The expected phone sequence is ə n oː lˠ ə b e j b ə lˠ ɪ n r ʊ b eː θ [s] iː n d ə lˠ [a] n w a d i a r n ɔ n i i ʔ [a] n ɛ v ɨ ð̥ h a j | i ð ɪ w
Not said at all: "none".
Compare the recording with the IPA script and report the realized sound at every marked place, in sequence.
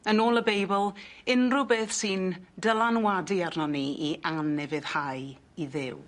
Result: s, a, a

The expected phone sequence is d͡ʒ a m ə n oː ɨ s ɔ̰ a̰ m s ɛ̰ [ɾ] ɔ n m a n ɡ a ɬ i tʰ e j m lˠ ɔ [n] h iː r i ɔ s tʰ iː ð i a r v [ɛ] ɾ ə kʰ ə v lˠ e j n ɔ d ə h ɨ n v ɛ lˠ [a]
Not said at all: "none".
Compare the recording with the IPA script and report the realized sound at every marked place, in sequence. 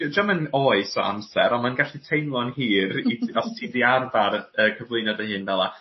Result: ɾ, n, a, a

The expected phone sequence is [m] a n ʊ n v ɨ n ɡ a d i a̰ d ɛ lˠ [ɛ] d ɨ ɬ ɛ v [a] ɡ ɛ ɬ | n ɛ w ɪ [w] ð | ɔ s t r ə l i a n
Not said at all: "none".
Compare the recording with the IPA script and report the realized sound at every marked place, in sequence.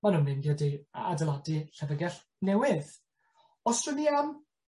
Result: m, a, ə, none

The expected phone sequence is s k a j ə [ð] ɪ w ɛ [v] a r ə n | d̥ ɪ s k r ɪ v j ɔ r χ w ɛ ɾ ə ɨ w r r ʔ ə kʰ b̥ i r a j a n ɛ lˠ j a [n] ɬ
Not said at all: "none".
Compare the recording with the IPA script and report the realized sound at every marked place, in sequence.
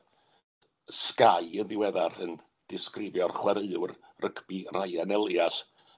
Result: ð, ð, none

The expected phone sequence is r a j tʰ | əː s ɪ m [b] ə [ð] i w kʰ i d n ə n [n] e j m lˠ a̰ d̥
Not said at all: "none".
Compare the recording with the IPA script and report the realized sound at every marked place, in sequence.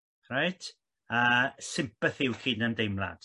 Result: p, θ, d

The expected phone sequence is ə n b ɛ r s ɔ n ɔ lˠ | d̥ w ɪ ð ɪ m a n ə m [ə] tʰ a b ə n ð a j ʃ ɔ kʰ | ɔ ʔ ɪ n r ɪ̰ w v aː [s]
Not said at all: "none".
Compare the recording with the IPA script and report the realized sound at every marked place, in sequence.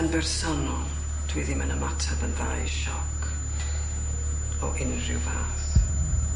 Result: a, θ

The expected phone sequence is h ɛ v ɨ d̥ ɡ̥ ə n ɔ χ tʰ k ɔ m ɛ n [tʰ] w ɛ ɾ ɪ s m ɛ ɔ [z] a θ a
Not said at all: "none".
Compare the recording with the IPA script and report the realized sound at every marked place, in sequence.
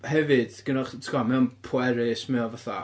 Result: pʰ, v

